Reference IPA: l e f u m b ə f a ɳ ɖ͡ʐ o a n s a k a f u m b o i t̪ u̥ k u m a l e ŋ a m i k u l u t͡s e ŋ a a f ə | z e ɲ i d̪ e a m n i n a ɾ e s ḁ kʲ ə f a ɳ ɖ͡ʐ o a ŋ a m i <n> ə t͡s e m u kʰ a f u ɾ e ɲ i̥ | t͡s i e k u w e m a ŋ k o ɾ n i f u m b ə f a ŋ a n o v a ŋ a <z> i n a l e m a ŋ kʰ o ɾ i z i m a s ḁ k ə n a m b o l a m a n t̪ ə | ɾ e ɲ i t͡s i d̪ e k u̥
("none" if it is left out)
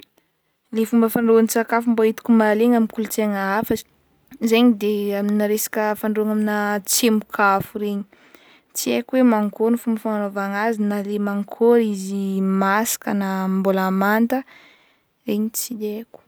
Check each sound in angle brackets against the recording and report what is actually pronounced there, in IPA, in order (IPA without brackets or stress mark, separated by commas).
n, z